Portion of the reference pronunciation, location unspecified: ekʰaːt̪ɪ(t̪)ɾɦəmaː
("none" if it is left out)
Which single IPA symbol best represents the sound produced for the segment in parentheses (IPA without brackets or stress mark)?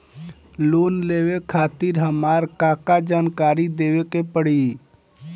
none